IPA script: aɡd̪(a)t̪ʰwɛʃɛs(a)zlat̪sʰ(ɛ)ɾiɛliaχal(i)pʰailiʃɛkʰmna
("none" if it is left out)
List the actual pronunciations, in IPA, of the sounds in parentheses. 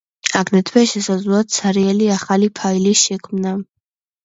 ɛ, a, a, i

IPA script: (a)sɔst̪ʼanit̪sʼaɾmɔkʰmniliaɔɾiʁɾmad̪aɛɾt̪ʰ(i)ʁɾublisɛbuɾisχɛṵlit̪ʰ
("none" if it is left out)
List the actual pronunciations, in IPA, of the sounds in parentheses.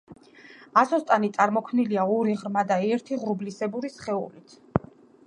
a, i

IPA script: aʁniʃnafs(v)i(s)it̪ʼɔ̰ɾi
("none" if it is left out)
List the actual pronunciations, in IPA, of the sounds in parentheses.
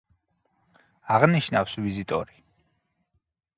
v, z

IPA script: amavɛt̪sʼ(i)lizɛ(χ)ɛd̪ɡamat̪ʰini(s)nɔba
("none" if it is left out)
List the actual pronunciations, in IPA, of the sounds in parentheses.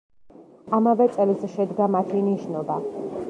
ɛ, ʃ, ʃ

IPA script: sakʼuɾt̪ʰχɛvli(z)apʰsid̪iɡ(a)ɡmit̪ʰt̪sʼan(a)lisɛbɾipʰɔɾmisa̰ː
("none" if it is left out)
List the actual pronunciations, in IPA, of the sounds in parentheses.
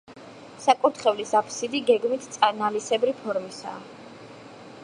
s, ɛ, a

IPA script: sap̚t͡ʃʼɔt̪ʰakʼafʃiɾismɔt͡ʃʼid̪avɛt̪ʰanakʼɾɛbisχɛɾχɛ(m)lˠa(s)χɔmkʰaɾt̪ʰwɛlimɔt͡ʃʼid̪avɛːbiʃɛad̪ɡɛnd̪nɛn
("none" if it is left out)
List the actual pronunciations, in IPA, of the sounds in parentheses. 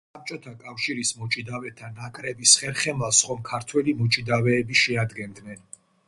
m, s

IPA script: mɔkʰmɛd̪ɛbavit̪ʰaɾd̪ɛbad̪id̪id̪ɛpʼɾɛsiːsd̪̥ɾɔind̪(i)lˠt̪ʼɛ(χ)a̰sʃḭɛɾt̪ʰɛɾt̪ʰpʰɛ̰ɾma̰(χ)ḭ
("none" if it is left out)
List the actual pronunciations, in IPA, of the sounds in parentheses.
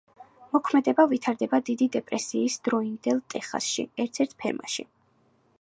ɛ, χ, ʃ

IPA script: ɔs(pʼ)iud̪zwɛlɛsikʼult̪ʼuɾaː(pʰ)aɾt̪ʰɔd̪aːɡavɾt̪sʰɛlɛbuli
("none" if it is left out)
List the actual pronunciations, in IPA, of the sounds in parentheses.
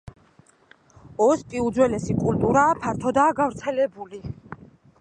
pʼ, pʰ

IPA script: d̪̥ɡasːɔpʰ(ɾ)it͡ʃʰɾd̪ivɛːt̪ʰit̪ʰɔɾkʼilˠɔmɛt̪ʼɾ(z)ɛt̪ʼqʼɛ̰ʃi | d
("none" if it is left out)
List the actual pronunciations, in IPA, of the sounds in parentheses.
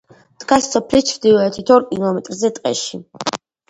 l, z

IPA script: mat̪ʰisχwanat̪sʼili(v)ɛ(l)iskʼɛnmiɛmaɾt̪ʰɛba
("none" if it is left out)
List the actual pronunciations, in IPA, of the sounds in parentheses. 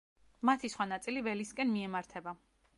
v, l

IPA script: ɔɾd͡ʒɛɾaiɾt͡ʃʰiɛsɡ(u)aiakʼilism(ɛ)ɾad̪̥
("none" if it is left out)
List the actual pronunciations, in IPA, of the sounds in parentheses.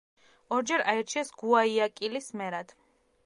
u, ɛ

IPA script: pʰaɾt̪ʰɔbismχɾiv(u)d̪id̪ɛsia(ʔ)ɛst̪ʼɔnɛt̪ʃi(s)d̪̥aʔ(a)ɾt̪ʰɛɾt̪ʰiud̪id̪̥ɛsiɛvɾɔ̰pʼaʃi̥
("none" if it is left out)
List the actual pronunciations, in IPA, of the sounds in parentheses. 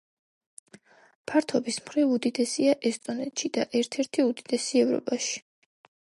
u, ʔ, none, ɛ

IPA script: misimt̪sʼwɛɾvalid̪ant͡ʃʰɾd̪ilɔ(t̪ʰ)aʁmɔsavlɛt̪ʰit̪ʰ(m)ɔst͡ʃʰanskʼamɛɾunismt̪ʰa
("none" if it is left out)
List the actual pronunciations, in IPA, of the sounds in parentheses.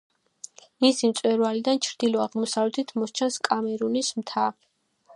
none, m

